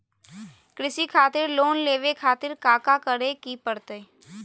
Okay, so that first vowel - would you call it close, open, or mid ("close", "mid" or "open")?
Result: close